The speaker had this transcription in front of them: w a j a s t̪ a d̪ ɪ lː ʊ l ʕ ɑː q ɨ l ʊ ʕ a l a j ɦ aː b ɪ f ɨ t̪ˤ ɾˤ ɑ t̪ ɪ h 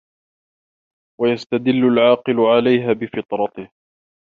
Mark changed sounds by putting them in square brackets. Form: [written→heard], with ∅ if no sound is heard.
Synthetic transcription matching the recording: w a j a s t̪ a d̪ ɪ lː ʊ l ʕ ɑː q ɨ l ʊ ʕ a l a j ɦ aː b ɪ f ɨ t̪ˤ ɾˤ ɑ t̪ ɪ h